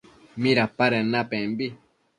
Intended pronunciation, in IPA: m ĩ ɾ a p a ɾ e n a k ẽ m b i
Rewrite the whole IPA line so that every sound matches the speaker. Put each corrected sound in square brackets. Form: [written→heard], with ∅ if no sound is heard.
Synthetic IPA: m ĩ ɾ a p a ɾ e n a [k→p] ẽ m b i